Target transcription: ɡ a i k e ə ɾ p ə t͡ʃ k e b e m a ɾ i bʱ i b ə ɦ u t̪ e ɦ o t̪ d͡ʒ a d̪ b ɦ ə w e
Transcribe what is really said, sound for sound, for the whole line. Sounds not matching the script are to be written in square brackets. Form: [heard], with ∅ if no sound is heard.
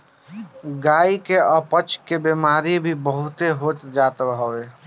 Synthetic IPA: ɡ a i k e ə [∅] p ə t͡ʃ k e b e m a ɾ i bʱ i b ə ɦ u t̪ e ɦ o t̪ d͡ʒ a [t̪] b ɦ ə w e